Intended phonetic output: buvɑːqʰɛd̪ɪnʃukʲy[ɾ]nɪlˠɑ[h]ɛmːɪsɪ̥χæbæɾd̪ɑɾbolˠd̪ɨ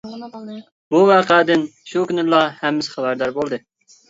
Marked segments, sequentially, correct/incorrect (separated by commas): incorrect, correct